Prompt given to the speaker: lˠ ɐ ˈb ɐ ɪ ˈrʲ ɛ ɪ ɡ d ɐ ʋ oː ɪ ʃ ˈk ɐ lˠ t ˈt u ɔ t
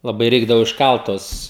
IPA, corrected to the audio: lˠ ɐ ˈb ɐ ɪ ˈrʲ ɛ ɪ ɡ d ɐ ʋ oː ɪ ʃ ˈk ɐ lˠ t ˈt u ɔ s